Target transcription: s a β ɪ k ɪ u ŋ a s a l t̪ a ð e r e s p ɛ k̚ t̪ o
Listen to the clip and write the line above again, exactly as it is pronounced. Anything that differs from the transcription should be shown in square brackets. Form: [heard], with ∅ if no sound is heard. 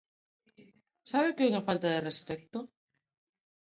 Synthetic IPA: s a β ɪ k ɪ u ŋ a [f] a l t̪ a ð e r e s p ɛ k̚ t̪ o